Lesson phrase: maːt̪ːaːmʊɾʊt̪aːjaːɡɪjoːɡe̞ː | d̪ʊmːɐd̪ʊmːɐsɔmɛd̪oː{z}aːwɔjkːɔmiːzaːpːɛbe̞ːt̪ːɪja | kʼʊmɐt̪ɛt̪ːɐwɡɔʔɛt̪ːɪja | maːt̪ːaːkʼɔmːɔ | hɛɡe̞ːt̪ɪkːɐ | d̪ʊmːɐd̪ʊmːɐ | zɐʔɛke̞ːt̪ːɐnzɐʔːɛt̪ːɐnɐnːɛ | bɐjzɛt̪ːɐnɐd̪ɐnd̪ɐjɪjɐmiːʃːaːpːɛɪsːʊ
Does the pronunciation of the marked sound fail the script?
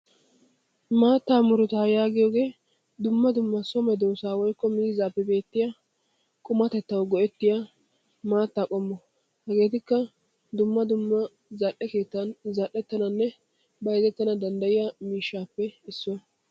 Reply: yes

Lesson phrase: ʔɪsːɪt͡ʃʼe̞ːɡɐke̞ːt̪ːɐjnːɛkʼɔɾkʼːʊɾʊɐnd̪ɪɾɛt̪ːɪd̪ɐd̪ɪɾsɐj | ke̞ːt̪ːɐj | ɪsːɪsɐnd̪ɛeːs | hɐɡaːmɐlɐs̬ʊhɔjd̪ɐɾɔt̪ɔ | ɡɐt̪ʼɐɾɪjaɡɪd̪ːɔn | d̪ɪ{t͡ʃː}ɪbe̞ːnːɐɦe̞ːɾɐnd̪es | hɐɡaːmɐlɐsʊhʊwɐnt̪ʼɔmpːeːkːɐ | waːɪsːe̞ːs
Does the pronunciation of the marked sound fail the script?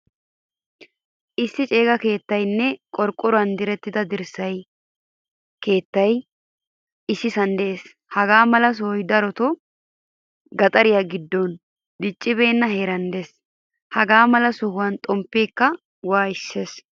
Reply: yes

